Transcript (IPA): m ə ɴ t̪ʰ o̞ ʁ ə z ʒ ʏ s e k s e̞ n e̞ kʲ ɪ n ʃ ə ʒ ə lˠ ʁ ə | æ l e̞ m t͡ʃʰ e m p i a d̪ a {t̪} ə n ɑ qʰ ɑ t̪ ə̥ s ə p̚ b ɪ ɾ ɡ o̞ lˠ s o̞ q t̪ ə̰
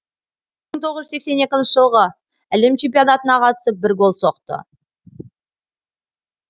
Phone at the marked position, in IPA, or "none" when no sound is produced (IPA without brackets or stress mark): t̪